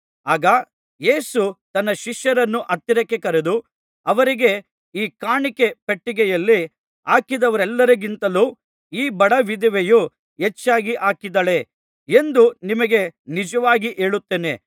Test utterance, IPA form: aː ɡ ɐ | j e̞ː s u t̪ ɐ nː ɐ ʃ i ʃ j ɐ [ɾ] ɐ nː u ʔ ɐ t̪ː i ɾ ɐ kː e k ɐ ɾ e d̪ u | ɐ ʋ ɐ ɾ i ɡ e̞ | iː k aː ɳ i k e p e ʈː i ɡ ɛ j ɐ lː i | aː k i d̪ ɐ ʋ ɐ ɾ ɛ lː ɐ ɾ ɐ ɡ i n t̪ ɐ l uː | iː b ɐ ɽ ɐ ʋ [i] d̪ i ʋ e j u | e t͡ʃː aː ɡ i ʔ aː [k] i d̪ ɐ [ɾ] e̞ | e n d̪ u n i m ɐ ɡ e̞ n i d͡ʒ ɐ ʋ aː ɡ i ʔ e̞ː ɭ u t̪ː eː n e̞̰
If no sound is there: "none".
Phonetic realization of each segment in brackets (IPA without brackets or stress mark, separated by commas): ɾ, i, k, ɭ